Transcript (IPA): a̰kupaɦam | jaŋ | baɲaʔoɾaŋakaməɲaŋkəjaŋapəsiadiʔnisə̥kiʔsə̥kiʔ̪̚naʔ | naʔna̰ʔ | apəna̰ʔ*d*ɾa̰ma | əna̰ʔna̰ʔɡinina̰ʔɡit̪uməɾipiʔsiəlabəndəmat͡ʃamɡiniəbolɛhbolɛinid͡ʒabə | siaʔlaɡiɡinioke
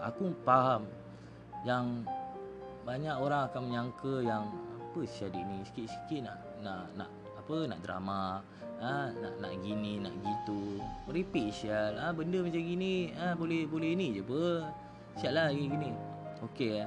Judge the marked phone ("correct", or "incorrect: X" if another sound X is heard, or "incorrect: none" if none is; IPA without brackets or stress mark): correct